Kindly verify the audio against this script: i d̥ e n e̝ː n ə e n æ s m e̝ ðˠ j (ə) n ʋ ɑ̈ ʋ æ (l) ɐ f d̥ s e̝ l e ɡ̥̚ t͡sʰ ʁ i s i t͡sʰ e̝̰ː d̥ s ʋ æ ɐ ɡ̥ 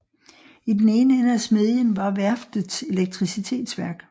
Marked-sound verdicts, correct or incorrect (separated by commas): correct, incorrect